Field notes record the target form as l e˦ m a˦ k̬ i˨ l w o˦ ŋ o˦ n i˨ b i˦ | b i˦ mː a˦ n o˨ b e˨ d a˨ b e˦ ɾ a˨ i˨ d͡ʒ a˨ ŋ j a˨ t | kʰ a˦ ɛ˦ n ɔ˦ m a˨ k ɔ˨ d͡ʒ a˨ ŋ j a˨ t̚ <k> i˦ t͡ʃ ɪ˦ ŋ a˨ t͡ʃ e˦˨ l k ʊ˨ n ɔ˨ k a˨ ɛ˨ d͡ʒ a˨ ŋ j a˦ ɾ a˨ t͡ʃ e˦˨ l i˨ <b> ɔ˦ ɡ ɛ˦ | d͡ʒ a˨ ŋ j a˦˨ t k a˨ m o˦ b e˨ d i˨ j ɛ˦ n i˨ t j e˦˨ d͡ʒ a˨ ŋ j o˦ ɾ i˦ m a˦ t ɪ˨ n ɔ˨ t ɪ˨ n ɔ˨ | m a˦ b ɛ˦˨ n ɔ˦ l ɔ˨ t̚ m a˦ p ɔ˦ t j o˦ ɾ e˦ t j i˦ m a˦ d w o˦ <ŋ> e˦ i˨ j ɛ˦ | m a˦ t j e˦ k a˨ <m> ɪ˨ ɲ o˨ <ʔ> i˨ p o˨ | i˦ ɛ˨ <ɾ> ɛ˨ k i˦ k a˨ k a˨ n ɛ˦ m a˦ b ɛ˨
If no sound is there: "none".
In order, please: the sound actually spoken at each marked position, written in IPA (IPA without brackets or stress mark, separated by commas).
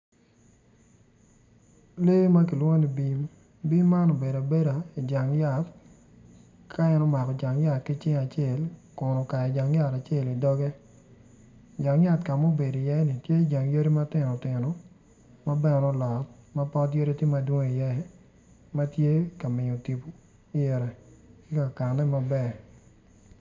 k, d, ŋ, m, t, ɾ